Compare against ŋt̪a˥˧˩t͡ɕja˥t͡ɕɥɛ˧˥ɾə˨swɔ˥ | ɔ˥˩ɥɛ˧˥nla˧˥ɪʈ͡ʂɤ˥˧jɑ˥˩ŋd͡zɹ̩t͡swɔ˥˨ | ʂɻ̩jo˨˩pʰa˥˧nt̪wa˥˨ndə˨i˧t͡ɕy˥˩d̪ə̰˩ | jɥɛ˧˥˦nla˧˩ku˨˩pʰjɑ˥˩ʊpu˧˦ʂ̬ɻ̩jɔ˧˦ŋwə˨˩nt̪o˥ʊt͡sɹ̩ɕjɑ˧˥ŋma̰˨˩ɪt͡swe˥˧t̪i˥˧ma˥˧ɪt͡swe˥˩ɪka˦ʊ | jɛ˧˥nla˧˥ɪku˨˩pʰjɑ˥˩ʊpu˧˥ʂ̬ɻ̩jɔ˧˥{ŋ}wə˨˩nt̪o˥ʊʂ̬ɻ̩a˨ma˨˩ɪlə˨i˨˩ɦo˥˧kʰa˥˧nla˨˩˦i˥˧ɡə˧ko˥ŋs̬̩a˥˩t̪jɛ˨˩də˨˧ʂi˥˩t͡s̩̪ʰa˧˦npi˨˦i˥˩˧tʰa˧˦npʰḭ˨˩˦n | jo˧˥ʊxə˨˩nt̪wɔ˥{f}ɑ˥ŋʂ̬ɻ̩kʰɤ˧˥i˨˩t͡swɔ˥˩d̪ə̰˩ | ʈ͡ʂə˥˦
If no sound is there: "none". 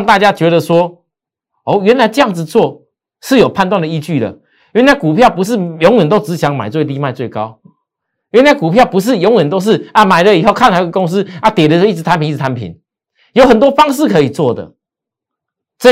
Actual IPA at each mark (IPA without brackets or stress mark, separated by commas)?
ŋ, f